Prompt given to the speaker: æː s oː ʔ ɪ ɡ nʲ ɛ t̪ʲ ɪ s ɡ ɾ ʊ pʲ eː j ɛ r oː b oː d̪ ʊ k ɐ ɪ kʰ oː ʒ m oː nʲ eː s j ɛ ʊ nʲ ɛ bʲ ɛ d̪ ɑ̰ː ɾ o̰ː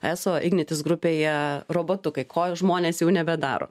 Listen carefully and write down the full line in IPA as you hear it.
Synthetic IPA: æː s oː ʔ ɪ ɡ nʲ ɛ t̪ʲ ɪ s ɡ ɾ ʊ pʲ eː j ɛ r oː b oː t̪ ʊ k ɐ ɪ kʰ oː ʒ m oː nʲ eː s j ɛ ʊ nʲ ɛ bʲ ɛ d̪ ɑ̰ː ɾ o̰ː